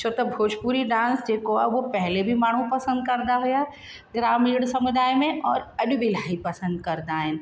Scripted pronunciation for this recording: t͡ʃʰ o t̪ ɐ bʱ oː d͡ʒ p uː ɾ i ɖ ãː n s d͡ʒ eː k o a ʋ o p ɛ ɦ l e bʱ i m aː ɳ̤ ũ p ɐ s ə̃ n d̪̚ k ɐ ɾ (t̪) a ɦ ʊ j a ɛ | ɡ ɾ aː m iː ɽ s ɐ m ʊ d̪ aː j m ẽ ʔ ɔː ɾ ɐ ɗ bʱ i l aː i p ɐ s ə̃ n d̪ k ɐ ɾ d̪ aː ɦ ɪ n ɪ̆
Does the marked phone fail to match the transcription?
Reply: yes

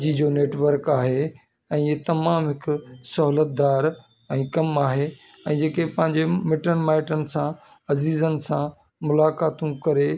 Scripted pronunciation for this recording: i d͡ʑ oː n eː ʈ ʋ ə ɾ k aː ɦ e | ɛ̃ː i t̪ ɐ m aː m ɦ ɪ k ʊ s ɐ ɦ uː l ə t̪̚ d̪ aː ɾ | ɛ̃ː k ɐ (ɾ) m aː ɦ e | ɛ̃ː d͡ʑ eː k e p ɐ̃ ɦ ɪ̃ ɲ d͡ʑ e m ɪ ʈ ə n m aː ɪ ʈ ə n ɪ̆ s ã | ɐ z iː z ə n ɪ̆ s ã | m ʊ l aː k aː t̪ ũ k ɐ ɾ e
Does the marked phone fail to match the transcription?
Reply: yes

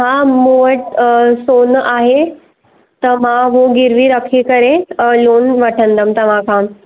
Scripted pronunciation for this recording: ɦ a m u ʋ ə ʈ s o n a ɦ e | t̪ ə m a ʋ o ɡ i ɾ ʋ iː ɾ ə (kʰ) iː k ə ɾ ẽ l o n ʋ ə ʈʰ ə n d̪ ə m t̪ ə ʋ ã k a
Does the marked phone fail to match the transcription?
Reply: no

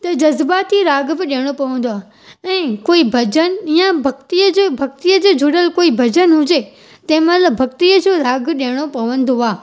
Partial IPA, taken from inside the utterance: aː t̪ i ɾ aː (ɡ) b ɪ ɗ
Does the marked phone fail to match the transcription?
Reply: no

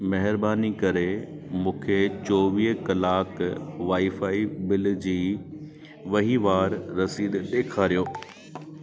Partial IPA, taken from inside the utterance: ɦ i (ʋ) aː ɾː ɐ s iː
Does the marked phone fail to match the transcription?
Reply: no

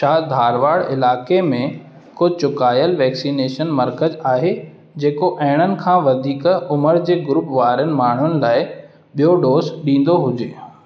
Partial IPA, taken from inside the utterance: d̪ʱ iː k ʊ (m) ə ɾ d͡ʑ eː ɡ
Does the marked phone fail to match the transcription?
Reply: no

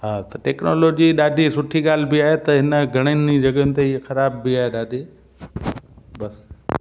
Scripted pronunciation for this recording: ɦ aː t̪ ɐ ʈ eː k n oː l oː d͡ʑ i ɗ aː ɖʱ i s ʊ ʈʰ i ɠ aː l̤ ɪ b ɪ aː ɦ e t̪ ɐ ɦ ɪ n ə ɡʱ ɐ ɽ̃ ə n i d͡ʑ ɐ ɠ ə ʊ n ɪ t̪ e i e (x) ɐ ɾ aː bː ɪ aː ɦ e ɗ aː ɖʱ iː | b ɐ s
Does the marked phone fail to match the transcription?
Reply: no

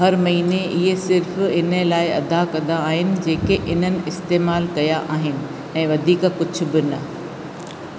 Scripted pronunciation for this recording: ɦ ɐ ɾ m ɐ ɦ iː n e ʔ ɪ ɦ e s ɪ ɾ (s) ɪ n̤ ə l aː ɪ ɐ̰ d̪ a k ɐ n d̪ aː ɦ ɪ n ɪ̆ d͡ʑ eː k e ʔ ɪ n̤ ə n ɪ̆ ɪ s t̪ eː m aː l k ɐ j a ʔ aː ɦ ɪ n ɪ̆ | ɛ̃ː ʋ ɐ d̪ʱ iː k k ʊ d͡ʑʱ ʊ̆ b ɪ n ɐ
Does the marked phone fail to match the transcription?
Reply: yes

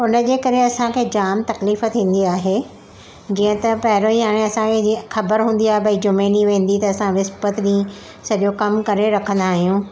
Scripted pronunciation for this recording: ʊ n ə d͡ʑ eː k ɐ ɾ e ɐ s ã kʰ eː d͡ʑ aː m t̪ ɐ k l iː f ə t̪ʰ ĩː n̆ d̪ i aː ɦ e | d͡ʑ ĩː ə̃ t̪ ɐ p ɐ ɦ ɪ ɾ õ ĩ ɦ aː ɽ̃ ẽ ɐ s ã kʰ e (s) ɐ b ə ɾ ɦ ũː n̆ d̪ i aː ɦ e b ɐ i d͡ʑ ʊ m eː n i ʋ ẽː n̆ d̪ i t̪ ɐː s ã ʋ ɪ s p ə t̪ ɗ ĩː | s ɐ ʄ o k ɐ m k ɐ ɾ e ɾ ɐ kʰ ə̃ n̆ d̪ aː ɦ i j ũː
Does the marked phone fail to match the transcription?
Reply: yes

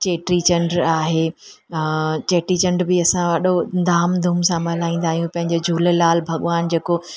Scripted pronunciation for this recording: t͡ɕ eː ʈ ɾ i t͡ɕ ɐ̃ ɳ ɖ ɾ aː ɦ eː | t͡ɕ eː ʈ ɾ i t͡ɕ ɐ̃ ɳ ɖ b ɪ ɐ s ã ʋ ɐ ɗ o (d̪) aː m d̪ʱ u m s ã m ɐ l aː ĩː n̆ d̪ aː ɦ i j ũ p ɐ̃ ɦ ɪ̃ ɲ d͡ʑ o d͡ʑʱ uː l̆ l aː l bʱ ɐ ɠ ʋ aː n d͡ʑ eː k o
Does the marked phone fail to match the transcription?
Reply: no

